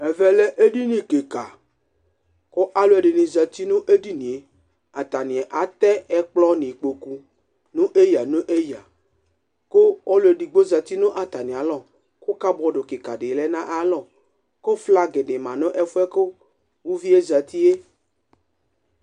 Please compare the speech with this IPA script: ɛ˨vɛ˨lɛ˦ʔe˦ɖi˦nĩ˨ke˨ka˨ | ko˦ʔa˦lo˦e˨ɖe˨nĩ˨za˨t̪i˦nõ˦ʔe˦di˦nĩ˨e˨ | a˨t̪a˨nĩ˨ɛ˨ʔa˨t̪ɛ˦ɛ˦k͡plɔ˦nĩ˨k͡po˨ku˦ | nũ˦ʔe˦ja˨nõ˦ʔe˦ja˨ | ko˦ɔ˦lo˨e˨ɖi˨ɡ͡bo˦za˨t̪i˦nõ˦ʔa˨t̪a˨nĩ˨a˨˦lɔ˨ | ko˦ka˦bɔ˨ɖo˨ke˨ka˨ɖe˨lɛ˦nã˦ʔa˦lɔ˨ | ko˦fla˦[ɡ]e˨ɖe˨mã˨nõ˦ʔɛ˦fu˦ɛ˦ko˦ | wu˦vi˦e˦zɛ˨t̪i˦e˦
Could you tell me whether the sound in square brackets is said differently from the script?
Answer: no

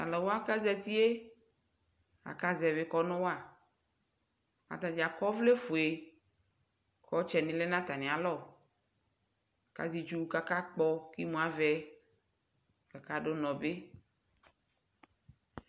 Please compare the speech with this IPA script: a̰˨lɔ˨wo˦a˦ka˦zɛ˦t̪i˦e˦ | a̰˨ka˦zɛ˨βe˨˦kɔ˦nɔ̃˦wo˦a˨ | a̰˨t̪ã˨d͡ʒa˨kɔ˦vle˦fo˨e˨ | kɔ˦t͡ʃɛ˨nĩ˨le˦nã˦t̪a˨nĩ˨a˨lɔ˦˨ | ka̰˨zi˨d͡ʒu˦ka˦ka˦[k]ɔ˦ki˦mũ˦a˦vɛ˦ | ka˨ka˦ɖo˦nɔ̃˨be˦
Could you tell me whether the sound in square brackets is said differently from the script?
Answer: yes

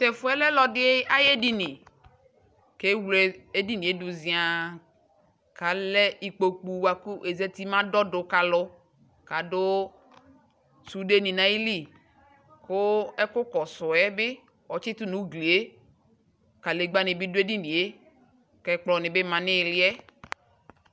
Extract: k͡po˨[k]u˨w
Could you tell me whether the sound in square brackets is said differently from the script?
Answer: yes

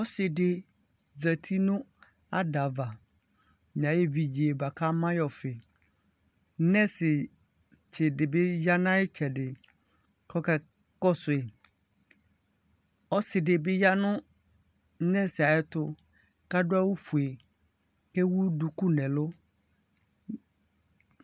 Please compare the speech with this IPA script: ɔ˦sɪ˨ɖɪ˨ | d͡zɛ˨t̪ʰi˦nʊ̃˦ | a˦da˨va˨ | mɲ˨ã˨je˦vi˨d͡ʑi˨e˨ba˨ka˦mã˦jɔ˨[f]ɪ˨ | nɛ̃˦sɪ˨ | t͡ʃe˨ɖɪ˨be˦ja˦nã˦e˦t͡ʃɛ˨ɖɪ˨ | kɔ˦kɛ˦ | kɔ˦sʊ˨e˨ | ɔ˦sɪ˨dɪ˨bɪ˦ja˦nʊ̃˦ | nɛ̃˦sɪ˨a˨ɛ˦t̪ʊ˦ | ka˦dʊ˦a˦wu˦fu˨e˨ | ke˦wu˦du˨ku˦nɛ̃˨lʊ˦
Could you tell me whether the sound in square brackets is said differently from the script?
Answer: no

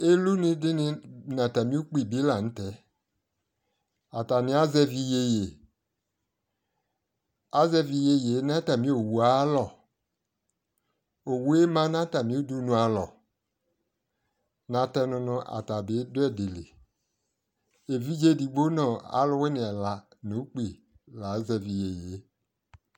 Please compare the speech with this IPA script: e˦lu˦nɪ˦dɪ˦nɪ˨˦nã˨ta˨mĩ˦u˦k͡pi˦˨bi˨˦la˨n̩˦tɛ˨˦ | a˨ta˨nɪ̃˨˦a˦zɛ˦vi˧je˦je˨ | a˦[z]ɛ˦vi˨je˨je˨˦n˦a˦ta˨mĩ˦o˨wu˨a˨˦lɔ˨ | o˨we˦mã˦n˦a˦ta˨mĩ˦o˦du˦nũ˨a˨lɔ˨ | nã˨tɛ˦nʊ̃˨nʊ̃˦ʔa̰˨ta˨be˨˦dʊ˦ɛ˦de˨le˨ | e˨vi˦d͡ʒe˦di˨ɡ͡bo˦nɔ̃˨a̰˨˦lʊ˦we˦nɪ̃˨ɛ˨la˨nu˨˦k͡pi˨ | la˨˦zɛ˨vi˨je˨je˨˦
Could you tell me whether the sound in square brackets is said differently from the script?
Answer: no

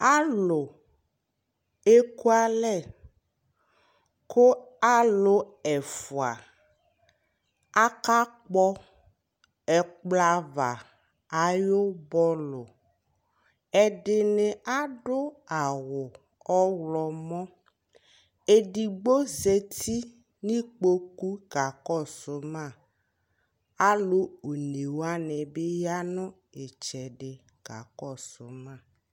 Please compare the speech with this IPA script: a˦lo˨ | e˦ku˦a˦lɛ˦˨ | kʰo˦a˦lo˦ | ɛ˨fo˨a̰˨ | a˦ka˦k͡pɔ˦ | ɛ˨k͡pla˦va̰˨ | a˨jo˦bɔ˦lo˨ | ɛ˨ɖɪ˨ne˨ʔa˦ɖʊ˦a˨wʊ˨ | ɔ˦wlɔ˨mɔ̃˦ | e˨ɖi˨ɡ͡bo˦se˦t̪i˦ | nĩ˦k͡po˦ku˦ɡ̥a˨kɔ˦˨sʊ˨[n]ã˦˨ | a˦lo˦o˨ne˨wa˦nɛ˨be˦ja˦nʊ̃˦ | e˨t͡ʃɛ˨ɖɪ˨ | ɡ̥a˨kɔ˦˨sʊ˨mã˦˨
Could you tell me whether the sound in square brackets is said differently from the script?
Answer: yes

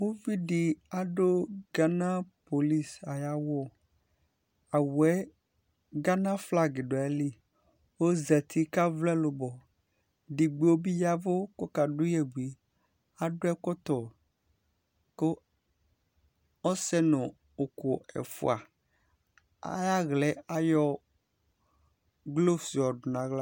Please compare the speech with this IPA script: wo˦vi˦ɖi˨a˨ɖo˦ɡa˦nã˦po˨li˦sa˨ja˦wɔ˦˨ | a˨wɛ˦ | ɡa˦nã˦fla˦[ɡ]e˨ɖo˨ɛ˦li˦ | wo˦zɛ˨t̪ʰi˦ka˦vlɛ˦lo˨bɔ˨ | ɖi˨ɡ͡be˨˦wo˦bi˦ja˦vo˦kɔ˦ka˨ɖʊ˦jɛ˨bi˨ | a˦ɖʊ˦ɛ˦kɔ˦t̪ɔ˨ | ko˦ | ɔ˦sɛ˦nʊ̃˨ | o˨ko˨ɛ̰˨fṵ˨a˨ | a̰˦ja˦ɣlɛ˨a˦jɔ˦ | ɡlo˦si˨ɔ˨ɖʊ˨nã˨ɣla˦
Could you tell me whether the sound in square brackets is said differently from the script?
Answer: no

